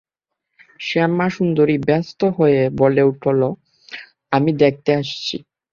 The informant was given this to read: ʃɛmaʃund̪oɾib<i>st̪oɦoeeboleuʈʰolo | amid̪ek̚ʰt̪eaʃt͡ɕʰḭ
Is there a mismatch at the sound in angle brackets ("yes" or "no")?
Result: yes